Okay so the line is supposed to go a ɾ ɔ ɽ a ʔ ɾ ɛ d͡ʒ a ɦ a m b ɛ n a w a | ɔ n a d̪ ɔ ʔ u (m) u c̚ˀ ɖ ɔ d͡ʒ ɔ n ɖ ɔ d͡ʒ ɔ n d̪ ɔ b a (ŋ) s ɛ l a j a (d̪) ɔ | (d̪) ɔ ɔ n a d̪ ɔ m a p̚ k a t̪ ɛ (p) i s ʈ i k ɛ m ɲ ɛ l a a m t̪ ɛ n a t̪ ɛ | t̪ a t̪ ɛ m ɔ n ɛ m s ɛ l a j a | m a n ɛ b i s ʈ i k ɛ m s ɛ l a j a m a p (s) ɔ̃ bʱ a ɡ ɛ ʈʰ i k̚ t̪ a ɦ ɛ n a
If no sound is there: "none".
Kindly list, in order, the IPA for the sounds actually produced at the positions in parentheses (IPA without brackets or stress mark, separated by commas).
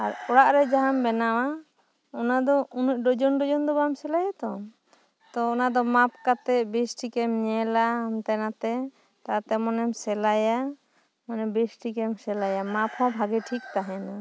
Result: n, m, t̪, t̪, b, h